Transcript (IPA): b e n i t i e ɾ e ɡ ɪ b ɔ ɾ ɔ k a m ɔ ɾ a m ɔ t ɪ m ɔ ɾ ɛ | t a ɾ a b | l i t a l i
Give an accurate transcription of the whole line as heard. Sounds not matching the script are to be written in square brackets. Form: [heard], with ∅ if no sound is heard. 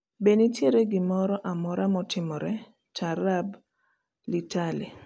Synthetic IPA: b e n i t [j] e ɾ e ɡ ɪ [m] ɔ ɾ ɔ [ʔ] a m ɔ ɾ a m ɔ t ɪ m ɔ ɾ ɛ | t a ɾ a b | l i t a l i